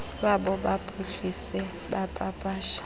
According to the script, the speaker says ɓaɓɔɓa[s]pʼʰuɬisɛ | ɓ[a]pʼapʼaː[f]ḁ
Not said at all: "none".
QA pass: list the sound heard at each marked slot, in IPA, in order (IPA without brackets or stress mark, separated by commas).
none, a, ʃ